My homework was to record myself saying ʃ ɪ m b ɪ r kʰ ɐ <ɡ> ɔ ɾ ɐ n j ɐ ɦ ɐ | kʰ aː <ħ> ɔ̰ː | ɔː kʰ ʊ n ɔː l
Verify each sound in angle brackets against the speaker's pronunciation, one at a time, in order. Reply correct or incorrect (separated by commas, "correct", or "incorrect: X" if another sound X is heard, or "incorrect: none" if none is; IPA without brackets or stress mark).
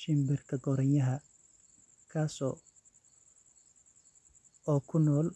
correct, incorrect: s